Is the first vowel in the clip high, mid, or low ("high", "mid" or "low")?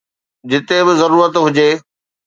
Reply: high